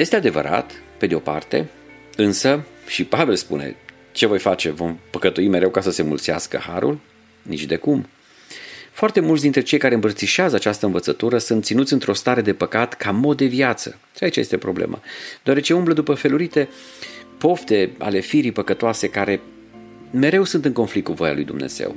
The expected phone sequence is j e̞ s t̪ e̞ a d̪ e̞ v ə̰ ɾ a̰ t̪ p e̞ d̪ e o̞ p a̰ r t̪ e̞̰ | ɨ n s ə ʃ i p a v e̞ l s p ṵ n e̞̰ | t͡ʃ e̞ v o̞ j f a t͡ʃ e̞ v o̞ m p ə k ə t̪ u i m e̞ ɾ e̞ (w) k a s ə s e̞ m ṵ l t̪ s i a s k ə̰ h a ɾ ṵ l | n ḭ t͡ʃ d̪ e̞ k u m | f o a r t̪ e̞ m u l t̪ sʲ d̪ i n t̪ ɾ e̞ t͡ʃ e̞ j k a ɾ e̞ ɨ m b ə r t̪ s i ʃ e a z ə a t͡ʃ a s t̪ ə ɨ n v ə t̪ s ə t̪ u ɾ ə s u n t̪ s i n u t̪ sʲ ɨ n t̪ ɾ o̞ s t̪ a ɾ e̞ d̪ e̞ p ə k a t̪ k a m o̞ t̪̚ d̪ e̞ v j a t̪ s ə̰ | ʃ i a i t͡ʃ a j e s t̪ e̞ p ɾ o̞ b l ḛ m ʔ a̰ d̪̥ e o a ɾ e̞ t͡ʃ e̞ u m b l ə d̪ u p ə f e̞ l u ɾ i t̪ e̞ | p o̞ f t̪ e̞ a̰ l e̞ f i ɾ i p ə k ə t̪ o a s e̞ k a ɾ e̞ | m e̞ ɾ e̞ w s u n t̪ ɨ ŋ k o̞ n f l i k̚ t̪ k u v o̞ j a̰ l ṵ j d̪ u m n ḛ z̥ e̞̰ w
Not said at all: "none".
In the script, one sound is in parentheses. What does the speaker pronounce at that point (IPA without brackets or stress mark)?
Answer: w